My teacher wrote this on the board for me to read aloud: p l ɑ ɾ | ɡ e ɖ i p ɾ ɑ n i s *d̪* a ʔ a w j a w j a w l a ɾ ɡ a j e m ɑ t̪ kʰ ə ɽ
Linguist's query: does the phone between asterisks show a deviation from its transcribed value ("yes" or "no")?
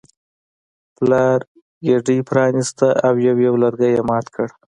yes